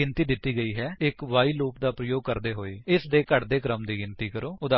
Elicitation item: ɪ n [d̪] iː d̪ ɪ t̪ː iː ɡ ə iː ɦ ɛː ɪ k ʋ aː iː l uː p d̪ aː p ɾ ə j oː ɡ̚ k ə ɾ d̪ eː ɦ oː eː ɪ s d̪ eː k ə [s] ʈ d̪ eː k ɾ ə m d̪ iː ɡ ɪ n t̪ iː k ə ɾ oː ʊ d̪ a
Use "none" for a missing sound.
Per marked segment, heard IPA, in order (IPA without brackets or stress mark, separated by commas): t̪, none